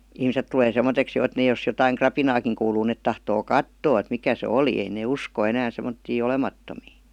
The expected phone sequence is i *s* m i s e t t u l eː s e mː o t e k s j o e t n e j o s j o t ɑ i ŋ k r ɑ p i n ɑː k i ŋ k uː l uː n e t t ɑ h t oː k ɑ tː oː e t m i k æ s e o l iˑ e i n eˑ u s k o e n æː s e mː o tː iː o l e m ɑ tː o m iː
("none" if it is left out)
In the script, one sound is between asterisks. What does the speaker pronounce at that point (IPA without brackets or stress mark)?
h